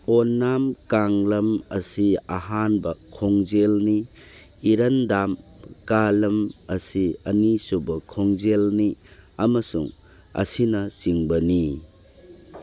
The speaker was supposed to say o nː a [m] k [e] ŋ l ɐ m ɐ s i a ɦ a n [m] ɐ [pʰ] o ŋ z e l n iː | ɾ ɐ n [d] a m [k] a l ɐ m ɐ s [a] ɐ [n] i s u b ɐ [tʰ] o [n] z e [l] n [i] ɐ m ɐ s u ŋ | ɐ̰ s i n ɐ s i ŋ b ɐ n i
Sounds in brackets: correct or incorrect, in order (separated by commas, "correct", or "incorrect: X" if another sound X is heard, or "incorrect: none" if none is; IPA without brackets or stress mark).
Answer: correct, incorrect: a, incorrect: b, incorrect: kʰ, correct, correct, incorrect: i, correct, incorrect: kʰ, incorrect: ŋ, correct, correct